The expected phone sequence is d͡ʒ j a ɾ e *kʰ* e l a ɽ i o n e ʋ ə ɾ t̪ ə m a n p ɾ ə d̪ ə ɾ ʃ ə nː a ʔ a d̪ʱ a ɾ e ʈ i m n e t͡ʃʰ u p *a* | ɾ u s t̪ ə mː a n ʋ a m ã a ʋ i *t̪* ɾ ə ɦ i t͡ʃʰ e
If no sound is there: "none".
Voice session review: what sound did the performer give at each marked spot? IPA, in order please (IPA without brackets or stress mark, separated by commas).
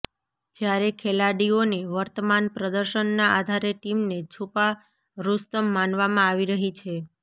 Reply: kʰ, a, none